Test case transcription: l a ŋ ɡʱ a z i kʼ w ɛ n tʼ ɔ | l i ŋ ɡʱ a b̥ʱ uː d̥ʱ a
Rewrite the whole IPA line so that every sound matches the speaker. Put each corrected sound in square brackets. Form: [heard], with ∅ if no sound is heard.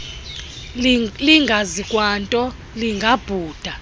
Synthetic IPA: l [i] ŋ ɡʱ a z i kʼ w [a] n tʼ ɔ | l i ŋ ɡʱ a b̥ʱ uː d̥ʱ a

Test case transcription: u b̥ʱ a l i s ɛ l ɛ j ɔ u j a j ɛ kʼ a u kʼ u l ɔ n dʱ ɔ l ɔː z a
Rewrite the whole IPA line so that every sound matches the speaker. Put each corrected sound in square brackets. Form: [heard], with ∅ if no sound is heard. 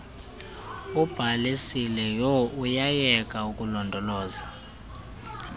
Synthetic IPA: u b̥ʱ a l i s [i] l ɛ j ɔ u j a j ɛ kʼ a u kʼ u l ɔ n dʱ ɔ l ɔː z a

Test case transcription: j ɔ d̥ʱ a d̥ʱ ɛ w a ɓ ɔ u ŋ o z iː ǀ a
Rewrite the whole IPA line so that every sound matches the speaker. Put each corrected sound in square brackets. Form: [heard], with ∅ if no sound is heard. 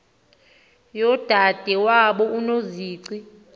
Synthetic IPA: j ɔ d̥ʱ a d̥ʱ ɛ w a ɓ ɔ u [n] o z iː ǀ [i]

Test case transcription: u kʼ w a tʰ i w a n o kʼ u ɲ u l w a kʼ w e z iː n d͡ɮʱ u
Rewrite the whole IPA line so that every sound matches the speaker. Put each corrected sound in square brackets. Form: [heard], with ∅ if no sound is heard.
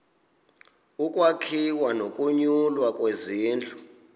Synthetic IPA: u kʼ w a [kʰ] i w a n o kʼ u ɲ u l w a kʼ w e z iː n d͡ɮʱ u

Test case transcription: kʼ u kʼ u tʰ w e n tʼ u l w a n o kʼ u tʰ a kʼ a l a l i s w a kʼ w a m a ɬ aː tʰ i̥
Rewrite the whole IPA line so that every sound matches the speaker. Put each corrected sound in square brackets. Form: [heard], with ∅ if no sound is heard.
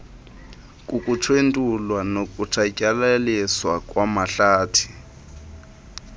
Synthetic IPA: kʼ u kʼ u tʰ w e n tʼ u l w a n o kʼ u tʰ a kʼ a l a l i s w a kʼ w a m a ɬ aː tʰ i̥

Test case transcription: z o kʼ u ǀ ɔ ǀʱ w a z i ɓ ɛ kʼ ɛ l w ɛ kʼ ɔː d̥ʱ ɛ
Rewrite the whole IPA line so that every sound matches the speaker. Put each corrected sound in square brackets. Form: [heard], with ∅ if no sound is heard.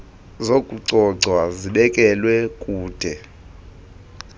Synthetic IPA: z o kʼ u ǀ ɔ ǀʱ w a z i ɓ ɛ kʼ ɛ l w ɛ kʼ [uː] d̥ʱ ɛ

